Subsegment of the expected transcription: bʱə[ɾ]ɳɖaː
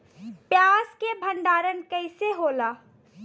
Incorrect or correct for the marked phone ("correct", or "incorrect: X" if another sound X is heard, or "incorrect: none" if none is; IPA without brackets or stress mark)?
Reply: incorrect: none